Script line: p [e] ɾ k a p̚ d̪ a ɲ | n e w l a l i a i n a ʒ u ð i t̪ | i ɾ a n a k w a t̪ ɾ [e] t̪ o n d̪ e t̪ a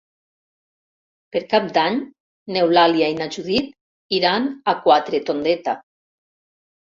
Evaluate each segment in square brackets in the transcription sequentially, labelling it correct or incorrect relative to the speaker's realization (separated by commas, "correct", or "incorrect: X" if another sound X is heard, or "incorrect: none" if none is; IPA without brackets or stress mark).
correct, correct